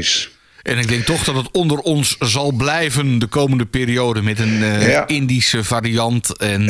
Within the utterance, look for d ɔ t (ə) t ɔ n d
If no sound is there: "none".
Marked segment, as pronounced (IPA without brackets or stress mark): ə